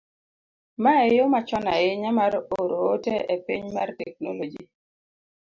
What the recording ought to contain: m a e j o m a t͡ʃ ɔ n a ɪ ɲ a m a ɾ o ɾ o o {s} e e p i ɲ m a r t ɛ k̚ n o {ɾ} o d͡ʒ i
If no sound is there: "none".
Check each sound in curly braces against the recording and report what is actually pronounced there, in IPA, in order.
t, l

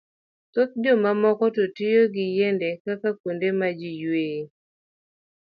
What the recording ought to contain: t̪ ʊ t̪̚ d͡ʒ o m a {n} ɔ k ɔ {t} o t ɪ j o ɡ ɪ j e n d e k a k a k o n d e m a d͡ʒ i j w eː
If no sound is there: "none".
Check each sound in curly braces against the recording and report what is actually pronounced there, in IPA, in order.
m, t

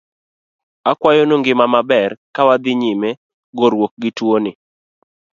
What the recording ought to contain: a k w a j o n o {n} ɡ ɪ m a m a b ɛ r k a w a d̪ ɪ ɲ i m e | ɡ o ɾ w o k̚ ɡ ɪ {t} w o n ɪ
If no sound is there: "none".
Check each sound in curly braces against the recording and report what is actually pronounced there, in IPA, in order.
ŋ, t

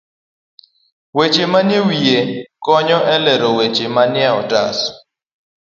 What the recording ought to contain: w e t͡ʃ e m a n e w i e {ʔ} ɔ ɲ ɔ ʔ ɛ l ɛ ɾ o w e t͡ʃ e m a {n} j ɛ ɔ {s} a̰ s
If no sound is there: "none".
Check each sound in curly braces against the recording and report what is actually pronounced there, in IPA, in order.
k, n, t

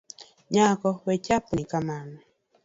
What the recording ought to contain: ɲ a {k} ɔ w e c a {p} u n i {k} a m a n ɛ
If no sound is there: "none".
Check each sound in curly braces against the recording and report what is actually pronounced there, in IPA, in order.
k, p, k

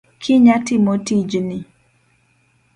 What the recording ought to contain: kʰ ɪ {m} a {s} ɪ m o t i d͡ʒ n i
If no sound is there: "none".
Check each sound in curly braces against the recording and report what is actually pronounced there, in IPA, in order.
ɲ, t

